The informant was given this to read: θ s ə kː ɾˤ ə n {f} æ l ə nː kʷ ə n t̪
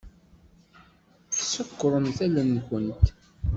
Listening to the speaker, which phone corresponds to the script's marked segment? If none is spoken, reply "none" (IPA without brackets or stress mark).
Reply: θ